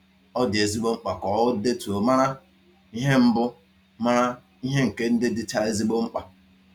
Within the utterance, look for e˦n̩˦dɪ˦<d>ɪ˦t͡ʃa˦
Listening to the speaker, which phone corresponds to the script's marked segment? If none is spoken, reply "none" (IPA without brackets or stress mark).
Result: d